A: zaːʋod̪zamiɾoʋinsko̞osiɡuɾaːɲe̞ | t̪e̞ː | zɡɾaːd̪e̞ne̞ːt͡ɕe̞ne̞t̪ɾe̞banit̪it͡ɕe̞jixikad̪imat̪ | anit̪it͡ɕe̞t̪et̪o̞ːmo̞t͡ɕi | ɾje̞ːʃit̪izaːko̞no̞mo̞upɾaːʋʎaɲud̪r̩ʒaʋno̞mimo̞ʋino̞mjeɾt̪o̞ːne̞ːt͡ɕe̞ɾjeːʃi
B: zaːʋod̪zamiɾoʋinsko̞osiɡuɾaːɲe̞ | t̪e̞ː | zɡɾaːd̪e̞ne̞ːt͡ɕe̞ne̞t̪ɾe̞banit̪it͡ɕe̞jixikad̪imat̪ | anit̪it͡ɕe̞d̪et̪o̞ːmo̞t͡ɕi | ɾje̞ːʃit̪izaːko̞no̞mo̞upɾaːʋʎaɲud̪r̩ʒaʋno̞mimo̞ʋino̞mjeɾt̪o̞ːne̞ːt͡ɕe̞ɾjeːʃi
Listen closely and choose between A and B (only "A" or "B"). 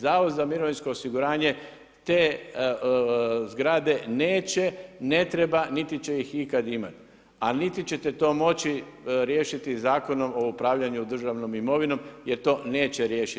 A